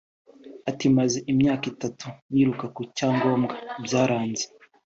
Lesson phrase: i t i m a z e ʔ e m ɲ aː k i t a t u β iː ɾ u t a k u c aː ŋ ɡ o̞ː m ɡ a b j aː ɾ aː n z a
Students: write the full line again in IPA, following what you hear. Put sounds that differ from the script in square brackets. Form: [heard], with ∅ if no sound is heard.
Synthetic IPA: [a] t i m a z e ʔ [i] m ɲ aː k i t a t u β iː ɾ u [k] a k u c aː ŋ ɡ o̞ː m ɡ a b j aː ɾ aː n z [e]